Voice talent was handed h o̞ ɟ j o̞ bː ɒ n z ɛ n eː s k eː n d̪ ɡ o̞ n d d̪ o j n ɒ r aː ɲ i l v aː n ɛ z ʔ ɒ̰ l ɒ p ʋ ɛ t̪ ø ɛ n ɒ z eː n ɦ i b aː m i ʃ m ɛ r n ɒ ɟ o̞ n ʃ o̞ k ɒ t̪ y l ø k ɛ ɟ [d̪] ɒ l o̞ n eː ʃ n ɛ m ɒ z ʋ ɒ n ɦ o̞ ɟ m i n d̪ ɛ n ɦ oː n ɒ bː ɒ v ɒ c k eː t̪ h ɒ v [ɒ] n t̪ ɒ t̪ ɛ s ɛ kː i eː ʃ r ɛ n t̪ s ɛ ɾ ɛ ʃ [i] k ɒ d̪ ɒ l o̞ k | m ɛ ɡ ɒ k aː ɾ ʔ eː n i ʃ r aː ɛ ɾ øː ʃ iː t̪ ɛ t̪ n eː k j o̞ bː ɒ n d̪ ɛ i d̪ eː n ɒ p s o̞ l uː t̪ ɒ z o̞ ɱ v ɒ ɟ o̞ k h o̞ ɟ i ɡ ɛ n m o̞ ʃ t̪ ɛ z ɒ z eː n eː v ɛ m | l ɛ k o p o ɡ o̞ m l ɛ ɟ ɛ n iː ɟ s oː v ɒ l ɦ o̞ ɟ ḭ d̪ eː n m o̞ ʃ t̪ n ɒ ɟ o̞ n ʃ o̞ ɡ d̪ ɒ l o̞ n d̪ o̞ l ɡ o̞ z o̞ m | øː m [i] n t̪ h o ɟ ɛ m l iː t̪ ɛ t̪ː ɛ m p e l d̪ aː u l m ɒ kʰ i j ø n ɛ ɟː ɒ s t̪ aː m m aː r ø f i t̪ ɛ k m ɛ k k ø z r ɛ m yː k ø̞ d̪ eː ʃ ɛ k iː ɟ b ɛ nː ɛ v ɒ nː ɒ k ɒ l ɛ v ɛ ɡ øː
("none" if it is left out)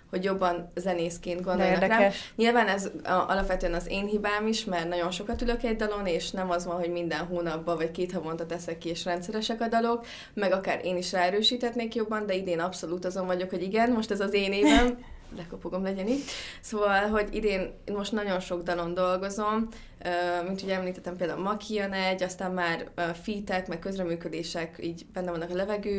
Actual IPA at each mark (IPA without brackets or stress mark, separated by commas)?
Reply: d̪, o, ɛ, i